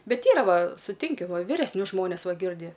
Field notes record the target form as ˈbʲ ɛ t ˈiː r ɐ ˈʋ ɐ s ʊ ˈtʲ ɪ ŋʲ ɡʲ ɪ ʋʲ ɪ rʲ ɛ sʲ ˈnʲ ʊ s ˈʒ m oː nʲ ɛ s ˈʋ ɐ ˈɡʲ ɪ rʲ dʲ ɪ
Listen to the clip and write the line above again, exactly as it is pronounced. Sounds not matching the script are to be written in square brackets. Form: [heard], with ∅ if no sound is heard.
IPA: ˈbʲ ɛ t ˈiː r ɐ ˈʋ ɐ s ʊ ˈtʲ ɪ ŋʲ [kʲ] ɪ ʋʲ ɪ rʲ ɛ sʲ ˈnʲ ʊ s ˈʒ m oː nʲ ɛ s ˈʋ ɐ ˈɡʲ ɪ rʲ dʲ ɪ